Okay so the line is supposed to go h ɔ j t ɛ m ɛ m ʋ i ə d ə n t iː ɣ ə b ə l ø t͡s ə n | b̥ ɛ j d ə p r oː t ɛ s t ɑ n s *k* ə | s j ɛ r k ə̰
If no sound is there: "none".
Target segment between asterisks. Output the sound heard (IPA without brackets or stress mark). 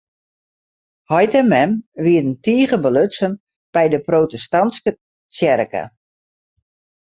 k